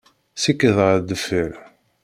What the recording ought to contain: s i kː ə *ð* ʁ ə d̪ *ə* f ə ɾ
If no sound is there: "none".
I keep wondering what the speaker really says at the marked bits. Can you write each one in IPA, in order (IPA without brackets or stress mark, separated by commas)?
ð, ə